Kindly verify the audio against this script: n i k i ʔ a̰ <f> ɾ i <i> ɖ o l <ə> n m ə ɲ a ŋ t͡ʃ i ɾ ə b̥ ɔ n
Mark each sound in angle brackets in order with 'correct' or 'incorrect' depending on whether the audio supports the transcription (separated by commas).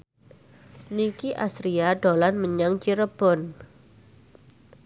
incorrect, incorrect, incorrect